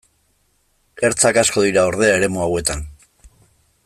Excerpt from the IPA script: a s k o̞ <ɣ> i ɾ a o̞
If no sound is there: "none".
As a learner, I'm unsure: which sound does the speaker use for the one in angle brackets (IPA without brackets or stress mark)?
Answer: ð